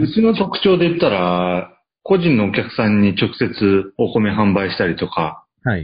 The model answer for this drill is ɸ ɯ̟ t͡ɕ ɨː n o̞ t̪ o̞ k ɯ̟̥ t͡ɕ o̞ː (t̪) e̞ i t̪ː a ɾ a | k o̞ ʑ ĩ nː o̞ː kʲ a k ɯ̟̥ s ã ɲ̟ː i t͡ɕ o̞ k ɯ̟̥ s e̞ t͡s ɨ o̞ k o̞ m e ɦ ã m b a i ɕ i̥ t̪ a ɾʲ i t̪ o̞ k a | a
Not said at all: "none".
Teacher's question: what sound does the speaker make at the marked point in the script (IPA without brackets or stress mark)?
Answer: d̪